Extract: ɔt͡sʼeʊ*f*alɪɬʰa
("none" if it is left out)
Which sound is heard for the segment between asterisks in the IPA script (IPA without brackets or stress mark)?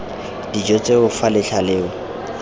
f